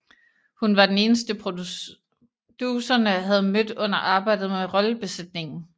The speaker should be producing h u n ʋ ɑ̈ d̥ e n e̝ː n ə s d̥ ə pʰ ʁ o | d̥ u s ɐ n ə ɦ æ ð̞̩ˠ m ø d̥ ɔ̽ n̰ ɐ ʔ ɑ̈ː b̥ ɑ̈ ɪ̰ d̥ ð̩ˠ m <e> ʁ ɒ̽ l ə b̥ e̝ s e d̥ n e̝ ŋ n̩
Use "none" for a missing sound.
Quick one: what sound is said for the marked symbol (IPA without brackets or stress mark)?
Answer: e